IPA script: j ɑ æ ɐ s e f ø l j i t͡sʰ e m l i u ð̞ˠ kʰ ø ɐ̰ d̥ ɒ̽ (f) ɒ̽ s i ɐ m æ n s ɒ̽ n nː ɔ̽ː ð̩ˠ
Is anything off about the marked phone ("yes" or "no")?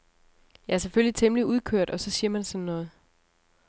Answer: yes